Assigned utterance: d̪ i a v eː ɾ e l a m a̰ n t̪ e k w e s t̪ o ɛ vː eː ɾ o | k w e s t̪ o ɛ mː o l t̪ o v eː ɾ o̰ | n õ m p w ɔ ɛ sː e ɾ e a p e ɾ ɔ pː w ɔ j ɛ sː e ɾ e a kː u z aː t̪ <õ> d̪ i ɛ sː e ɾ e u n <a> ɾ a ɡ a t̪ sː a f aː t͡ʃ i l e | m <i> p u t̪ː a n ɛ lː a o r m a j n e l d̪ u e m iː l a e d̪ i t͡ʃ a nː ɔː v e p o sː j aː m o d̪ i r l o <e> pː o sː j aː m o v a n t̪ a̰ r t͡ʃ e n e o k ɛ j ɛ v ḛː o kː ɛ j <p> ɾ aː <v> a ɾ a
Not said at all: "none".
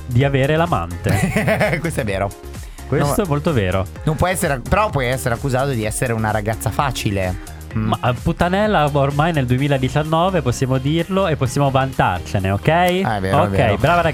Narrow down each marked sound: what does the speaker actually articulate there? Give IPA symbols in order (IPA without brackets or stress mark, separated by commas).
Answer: o, a, a, e, b, v